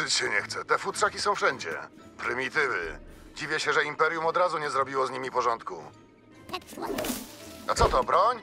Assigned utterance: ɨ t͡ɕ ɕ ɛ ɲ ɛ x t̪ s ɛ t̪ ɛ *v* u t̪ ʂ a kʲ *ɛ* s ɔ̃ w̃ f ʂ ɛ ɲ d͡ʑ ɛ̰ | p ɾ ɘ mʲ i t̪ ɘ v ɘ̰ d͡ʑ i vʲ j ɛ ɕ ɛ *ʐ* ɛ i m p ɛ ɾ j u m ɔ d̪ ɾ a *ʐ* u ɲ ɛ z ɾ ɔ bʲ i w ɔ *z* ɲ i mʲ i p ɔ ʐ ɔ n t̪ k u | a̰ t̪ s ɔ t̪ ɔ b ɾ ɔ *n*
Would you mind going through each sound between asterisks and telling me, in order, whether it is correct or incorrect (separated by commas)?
incorrect, incorrect, correct, incorrect, correct, incorrect